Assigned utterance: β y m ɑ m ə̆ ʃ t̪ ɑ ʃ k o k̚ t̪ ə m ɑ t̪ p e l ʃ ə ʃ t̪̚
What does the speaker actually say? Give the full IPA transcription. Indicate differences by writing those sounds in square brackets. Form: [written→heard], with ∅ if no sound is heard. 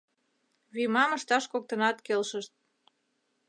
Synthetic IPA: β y m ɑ m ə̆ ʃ t̪ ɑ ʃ k o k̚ t̪ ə [m→n] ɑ t̪ [p→k] e l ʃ ə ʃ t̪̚